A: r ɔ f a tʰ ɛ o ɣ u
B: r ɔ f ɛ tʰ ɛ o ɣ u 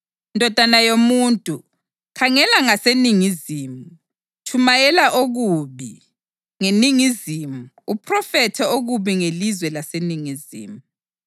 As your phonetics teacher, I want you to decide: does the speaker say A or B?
B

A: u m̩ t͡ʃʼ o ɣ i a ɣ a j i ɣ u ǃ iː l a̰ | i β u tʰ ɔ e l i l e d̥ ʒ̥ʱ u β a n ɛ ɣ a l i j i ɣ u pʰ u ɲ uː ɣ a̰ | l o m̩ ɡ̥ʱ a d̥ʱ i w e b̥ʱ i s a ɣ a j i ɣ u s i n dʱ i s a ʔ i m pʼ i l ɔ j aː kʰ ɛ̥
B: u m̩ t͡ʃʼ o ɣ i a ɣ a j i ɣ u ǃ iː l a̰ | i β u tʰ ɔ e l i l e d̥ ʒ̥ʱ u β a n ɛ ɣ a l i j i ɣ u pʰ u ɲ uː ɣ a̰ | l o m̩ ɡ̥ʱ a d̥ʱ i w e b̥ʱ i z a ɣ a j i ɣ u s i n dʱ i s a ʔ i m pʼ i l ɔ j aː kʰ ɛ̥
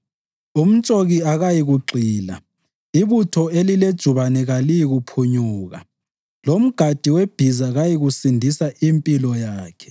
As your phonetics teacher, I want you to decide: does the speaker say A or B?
B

